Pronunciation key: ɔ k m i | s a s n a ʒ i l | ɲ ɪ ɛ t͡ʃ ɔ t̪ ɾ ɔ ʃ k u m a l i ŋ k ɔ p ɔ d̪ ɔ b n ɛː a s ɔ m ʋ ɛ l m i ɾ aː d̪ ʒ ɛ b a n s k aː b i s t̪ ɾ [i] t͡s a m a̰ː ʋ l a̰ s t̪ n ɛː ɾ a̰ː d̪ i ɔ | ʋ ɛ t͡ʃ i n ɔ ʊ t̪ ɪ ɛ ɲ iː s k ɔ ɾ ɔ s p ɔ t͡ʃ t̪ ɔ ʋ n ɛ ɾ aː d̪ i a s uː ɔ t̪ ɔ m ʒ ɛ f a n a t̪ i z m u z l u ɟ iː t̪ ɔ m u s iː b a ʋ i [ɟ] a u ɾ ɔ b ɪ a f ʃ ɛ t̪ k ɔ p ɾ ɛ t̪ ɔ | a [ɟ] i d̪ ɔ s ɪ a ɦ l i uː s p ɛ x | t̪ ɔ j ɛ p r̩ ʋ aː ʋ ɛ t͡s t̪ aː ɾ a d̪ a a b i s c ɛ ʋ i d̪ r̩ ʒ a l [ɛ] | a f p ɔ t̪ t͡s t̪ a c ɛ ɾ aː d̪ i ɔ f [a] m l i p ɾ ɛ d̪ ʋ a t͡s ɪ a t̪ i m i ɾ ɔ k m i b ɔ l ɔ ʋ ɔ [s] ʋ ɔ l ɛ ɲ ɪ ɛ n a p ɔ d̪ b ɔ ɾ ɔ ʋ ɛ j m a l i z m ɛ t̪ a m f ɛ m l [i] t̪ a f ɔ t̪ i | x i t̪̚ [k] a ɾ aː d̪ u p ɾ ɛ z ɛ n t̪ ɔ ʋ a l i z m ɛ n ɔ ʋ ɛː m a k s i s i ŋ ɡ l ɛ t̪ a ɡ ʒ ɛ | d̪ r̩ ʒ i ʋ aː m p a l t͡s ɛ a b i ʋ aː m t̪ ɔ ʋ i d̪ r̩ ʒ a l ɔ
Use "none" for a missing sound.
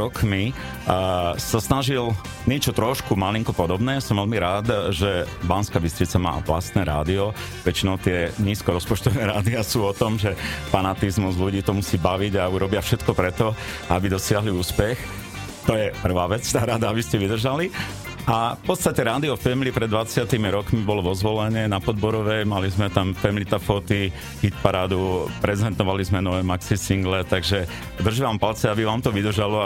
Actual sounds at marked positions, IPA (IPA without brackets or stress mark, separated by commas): i, ɟ, b, i, ɛ, z, i, p